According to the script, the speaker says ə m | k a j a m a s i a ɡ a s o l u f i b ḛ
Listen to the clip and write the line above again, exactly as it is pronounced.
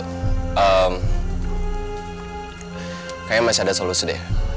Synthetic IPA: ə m | k a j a m a s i a d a s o l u s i d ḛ